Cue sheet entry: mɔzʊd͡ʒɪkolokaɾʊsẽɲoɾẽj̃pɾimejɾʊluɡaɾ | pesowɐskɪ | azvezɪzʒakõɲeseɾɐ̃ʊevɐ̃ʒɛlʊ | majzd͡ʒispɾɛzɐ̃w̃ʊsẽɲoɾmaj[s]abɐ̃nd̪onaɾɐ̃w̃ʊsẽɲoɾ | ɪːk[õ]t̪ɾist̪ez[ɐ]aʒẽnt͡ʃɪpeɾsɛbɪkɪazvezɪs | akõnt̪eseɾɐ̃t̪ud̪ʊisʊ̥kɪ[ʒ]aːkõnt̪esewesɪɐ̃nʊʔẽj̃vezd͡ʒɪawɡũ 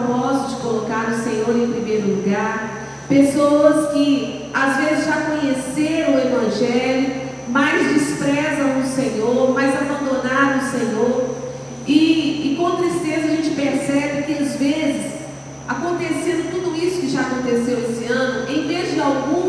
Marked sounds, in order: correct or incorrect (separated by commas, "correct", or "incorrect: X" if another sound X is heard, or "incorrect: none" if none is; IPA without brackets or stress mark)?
incorrect: z, correct, correct, correct